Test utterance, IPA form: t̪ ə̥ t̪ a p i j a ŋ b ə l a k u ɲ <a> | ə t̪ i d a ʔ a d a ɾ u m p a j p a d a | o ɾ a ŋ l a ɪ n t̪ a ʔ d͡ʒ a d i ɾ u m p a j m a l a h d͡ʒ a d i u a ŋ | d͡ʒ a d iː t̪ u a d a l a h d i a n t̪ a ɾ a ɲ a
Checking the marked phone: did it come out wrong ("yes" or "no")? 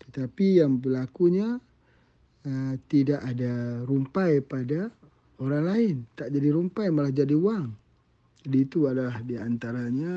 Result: no